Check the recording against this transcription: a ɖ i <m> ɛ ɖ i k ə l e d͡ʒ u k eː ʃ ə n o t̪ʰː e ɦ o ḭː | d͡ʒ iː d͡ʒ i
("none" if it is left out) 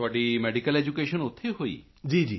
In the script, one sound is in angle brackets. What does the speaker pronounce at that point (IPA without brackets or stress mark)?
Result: m